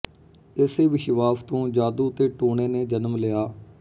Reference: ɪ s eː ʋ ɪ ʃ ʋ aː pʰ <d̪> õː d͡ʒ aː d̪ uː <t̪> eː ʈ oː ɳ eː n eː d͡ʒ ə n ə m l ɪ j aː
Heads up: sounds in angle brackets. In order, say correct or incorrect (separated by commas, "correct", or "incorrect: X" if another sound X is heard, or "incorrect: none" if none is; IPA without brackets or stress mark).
incorrect: t̪, correct